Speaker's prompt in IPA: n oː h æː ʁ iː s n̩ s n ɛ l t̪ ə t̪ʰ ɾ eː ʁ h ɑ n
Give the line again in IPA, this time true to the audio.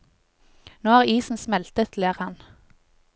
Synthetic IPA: n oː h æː ʁ iː s n̩ s m ɛ l t̪ ə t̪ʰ l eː ʁ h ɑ n